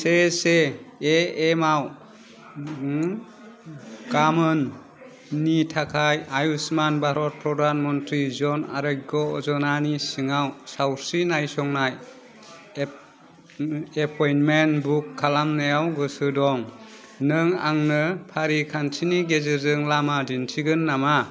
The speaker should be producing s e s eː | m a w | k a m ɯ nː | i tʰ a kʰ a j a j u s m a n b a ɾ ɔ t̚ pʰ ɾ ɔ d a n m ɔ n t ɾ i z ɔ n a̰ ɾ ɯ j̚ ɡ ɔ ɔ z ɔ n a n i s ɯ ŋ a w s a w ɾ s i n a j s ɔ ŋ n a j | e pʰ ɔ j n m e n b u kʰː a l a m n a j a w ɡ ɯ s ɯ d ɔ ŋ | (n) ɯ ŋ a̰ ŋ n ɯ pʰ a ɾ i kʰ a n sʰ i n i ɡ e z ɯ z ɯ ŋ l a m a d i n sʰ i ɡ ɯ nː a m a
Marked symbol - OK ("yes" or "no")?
yes